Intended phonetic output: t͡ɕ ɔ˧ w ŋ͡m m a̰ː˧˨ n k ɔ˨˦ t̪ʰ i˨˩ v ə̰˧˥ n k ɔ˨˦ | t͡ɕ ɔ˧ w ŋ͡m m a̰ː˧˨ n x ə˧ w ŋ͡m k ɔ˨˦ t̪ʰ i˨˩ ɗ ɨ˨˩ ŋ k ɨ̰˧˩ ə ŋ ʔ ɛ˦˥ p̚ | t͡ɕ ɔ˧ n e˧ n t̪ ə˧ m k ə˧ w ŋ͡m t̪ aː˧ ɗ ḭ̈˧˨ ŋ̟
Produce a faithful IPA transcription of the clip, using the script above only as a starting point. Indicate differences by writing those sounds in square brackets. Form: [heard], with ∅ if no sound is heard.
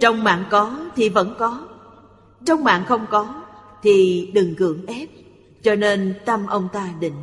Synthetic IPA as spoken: t͡ɕ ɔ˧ w ŋ͡m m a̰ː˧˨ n k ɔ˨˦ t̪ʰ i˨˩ v ə̰˧˥ n k ɔ˨˦ | t͡ɕ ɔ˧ w ŋ͡m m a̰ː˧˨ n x ə˧ w ŋ͡m k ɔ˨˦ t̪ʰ i˨˩ ɗ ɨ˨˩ ŋ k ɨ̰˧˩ ə ŋ ʔ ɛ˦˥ p̚ | t͡ɕ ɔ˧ n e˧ n t̪ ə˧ m [ʔ] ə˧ w ŋ͡m t̪ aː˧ ɗ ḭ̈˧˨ ŋ̟